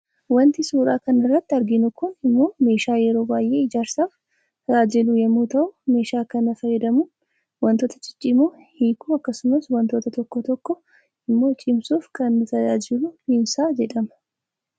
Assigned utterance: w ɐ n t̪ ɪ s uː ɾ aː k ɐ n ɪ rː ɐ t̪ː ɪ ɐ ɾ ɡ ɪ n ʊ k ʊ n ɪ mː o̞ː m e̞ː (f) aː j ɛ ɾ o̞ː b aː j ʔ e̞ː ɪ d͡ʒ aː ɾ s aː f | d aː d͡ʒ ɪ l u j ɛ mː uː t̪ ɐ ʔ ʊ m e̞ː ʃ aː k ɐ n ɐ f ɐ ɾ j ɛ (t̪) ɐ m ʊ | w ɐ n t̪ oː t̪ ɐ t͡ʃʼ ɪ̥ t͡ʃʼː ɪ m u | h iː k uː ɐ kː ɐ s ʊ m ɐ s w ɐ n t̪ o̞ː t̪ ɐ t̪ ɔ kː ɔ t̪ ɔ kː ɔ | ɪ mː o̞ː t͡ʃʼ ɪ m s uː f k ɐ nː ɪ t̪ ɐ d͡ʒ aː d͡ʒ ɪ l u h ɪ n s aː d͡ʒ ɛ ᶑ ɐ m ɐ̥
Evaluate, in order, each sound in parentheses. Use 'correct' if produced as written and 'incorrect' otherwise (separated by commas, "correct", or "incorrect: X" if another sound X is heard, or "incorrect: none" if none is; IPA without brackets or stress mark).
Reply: incorrect: ʃ, incorrect: d̪